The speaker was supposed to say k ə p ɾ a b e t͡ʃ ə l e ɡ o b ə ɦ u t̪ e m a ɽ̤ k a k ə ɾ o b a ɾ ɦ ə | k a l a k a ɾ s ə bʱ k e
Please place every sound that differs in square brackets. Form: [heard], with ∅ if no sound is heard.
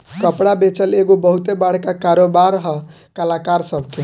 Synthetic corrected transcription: k ə p [ɽ] a b e t͡ʃ ə l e ɡ o b ə ɦ u t̪ e [b] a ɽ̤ k a k [a] ɾ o b a ɾ ɦ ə | k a l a k a ɾ s ə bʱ k e